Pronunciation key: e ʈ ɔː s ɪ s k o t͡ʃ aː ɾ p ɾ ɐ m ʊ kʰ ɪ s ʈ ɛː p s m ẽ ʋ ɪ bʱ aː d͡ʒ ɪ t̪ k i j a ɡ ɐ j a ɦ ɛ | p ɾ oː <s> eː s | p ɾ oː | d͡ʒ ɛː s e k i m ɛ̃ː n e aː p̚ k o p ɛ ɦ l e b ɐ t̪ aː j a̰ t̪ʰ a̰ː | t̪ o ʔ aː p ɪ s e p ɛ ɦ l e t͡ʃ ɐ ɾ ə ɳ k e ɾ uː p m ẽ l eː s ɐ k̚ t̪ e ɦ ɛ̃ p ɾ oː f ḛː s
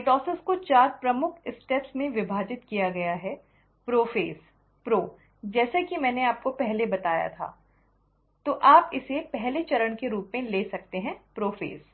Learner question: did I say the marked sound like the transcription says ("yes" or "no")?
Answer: no